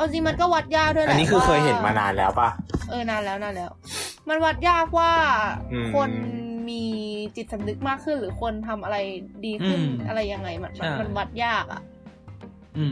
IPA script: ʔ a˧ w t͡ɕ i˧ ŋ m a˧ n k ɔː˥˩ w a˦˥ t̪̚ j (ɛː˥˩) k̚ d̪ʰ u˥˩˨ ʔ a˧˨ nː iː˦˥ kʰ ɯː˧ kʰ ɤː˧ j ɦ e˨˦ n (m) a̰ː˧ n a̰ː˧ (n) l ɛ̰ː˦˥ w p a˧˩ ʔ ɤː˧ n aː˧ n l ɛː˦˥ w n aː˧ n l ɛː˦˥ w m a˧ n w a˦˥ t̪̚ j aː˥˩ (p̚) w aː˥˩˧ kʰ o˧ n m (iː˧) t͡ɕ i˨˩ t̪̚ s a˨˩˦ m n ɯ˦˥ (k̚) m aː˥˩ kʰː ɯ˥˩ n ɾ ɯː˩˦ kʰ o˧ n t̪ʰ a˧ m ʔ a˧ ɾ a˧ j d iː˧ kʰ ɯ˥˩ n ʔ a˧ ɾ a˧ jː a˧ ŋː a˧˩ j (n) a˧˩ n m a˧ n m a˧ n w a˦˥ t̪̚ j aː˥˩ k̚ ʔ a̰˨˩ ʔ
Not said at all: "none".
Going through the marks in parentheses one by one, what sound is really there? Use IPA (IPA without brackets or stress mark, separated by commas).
aː˥˩, m, n, k̚, iː˧, k̚, m